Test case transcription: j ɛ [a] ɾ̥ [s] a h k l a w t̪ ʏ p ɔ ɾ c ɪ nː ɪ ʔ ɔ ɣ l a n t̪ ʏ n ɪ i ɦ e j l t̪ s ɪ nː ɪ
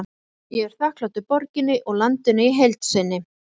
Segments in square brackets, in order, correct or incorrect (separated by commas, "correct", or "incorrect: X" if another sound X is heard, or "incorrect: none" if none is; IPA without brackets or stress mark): incorrect: ɛ, incorrect: θ